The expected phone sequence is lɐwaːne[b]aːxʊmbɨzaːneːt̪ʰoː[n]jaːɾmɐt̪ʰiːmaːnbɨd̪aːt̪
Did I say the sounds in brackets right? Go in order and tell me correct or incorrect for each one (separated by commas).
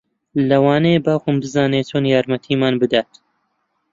correct, correct